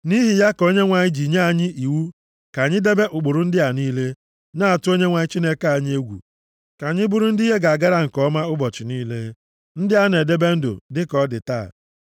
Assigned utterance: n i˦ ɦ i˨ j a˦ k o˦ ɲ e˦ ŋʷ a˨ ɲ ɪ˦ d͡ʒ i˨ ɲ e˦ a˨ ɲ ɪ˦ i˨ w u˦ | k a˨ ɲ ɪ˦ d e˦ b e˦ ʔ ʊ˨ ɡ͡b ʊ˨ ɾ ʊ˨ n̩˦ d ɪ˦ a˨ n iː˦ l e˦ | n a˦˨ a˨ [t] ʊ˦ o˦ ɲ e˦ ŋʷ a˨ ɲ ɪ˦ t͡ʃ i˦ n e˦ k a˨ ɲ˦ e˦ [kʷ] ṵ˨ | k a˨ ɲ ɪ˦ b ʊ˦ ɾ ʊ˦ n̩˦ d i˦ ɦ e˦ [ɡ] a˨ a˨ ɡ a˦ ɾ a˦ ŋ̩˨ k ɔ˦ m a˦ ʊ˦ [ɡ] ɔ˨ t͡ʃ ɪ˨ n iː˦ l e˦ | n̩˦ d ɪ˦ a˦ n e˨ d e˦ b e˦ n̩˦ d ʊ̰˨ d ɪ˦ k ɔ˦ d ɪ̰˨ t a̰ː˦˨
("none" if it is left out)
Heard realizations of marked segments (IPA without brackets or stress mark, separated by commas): t, ɡʷ, ɡ, b